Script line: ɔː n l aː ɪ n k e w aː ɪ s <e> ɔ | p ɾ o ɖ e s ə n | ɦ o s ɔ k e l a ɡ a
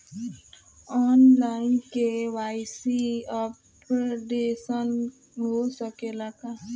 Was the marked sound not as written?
yes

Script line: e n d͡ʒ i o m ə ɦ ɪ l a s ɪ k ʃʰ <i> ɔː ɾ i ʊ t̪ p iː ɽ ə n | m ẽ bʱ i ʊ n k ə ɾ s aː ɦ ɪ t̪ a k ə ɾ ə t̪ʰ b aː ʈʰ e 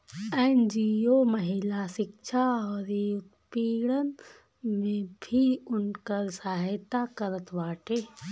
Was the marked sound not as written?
yes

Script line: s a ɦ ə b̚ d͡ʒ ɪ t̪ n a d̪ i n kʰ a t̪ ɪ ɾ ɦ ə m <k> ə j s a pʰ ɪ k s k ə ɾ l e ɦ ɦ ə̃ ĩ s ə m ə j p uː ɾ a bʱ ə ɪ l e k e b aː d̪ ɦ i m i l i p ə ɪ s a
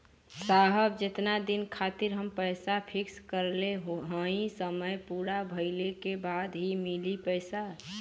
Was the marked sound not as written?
yes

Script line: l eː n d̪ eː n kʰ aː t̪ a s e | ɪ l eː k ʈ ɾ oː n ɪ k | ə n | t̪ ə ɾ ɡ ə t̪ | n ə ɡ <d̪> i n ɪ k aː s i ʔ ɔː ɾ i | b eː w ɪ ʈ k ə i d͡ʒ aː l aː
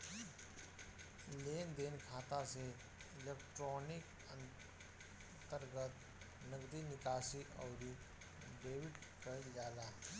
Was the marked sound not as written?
no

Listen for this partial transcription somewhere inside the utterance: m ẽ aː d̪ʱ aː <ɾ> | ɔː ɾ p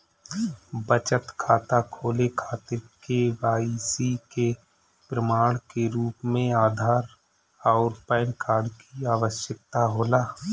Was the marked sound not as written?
no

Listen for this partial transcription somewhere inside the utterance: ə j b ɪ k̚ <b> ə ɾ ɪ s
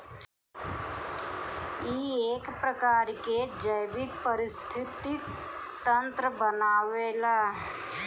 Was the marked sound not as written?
yes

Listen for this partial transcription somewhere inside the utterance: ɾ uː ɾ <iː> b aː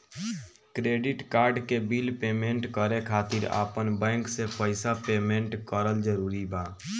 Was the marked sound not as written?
yes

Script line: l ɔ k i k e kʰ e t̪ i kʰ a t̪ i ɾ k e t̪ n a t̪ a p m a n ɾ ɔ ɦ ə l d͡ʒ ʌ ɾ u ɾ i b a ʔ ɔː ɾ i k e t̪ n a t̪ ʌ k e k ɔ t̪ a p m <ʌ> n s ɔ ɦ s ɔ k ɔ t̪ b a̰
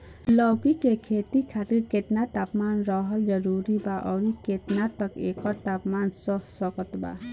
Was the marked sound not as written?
yes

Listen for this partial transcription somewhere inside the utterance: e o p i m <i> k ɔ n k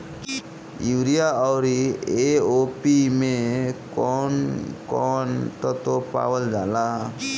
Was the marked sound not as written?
yes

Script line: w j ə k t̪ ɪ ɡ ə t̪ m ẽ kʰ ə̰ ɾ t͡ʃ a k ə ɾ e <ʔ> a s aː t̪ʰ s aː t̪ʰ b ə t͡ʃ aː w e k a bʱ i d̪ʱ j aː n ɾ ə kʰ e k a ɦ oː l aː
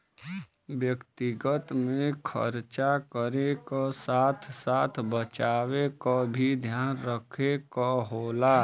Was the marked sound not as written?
yes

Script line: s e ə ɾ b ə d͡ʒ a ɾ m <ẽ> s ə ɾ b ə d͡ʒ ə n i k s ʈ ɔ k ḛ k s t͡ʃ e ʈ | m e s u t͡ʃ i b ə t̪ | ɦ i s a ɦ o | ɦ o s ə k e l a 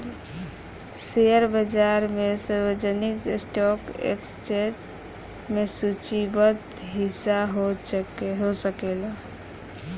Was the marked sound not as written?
yes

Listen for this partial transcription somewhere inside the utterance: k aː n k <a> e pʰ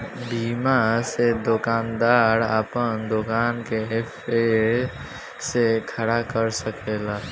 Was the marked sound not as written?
yes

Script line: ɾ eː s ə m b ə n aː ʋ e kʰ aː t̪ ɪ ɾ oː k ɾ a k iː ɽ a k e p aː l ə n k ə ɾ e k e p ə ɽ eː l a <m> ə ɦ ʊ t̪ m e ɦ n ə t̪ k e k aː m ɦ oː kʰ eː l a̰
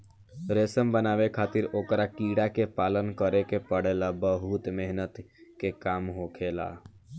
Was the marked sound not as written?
yes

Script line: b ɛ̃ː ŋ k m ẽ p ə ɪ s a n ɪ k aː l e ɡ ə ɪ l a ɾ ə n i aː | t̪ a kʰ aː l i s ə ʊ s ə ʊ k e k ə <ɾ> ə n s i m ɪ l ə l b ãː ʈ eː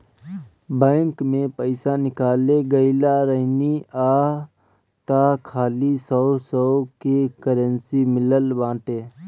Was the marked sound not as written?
no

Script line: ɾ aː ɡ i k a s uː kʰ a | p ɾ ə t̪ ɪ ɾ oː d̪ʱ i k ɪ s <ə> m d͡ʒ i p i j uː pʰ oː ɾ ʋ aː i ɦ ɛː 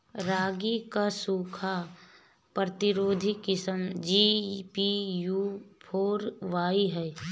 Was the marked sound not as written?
no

